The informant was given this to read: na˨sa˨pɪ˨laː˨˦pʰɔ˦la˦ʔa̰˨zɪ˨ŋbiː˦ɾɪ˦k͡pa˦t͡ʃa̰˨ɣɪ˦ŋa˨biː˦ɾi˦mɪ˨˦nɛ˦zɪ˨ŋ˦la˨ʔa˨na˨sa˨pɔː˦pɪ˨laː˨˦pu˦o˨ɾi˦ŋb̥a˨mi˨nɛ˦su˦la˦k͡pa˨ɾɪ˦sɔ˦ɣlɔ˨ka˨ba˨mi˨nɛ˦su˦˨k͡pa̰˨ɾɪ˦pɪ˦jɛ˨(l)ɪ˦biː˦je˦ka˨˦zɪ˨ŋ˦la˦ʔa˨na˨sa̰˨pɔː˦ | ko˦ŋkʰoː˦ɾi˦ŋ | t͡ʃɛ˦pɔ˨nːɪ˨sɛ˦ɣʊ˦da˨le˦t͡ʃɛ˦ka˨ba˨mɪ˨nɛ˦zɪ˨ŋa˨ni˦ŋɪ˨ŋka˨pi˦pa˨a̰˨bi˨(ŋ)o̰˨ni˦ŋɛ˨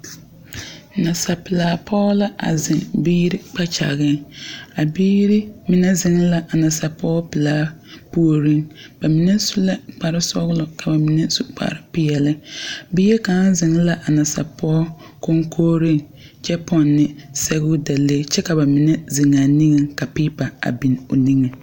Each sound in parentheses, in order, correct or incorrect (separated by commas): correct, incorrect